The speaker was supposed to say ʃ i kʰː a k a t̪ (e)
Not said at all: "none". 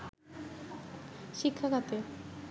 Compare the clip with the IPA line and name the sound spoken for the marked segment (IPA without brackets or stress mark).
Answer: e